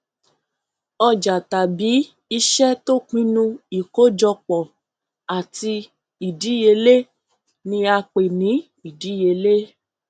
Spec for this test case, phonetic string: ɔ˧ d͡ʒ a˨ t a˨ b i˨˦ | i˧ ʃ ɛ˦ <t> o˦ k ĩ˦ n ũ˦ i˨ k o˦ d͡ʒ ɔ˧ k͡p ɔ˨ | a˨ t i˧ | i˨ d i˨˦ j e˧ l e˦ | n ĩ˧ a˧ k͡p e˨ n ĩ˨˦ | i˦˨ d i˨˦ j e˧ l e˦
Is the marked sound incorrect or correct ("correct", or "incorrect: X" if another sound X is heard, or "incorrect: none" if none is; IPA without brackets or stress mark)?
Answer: correct